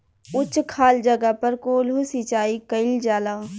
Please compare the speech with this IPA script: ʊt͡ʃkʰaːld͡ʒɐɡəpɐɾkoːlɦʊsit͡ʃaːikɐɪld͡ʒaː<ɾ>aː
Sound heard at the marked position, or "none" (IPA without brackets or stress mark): l